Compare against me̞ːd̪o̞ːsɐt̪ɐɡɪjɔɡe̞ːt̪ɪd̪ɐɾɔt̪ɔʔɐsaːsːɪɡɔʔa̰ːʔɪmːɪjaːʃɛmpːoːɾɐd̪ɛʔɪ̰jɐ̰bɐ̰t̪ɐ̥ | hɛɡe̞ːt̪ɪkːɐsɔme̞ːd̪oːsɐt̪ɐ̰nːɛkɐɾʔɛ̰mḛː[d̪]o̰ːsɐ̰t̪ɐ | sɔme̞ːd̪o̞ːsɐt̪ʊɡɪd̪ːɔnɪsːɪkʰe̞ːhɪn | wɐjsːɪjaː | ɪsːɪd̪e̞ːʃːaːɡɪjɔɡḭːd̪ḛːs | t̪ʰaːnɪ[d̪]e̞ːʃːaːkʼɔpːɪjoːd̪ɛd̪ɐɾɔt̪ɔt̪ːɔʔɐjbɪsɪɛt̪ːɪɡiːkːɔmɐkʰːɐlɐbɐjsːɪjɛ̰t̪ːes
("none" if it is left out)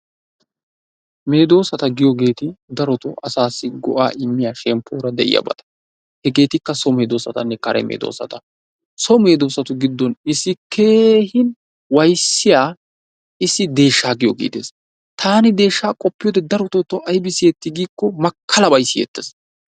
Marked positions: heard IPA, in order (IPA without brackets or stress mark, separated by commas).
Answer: d̪, d̪